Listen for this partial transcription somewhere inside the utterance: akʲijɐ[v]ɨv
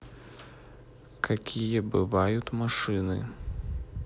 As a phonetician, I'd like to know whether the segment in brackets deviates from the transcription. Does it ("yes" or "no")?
yes